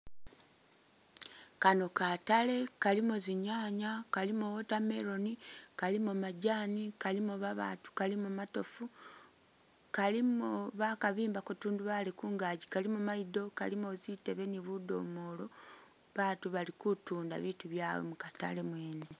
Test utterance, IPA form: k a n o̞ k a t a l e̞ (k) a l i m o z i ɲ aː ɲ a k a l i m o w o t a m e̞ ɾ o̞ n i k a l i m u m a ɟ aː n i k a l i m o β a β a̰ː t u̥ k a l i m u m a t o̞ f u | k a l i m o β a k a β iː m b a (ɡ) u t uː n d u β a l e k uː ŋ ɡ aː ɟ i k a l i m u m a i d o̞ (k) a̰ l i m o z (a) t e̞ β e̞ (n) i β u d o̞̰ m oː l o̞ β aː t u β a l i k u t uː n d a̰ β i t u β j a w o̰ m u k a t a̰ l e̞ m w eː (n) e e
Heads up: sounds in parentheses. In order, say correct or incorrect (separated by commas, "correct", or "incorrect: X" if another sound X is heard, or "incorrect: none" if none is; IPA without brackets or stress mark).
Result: correct, incorrect: k, correct, incorrect: i, correct, correct